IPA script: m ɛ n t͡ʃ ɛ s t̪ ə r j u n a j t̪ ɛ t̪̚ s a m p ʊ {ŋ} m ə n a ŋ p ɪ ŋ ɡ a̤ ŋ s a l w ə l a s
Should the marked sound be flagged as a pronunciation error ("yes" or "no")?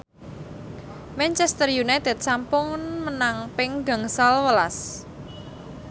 no